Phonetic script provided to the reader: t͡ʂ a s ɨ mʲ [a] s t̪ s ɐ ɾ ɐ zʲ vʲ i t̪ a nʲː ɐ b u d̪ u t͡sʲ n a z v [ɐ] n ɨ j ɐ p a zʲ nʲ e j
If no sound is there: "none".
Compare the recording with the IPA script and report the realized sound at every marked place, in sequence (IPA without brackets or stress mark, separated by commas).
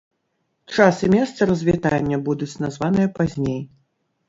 ɛ, a